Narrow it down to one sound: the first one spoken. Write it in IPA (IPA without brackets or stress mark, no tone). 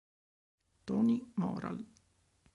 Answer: t̪